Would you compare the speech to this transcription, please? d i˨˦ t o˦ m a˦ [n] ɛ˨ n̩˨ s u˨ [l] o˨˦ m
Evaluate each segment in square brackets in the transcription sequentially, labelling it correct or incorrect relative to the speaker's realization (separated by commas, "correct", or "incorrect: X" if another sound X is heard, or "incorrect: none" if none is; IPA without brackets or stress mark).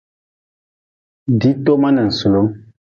correct, correct